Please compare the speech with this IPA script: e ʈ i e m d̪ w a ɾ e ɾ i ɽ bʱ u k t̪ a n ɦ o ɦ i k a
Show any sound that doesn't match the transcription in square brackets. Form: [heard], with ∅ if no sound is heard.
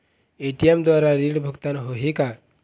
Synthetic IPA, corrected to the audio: e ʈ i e m d̪ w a ɾ [a] ɾ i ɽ bʱ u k t̪ a n ɦ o ɦ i k a